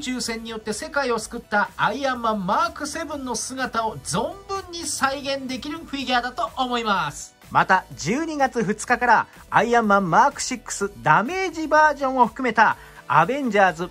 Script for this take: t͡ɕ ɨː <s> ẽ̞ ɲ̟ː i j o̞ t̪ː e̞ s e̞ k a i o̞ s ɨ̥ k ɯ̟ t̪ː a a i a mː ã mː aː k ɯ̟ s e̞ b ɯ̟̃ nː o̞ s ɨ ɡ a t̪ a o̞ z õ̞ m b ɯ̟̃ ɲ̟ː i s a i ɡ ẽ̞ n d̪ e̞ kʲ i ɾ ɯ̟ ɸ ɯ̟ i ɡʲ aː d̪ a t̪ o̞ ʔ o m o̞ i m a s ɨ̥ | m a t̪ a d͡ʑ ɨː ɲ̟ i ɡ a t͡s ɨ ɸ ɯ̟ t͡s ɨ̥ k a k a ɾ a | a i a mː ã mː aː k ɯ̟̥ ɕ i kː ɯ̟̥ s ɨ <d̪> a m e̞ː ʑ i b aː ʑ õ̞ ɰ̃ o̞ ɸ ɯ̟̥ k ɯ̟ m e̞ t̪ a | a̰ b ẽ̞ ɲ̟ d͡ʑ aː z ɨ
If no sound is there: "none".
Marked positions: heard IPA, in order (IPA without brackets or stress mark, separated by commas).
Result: s, d̪